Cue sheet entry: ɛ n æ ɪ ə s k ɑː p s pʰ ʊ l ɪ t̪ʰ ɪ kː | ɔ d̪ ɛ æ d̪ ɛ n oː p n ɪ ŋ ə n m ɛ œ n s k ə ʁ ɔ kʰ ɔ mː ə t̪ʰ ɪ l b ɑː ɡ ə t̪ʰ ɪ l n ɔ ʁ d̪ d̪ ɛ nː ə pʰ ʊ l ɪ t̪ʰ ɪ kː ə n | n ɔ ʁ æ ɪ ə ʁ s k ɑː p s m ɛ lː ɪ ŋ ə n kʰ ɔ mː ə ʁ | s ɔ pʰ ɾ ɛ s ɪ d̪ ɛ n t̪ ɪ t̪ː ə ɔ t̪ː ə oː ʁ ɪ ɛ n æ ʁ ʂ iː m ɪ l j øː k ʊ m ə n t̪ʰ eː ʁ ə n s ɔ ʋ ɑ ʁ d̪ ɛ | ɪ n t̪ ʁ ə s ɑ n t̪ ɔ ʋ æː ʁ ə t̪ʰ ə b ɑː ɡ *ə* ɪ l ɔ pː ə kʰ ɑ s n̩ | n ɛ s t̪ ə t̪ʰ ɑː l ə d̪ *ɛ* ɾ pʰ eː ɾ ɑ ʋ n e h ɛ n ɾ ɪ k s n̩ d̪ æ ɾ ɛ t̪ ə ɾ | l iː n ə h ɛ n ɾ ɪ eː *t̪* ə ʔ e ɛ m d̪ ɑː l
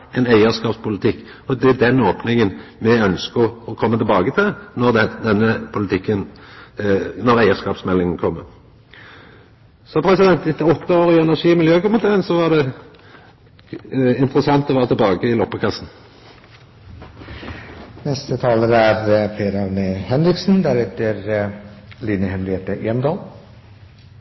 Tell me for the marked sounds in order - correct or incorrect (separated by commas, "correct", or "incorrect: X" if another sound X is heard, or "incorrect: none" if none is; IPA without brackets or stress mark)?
correct, incorrect: æ, correct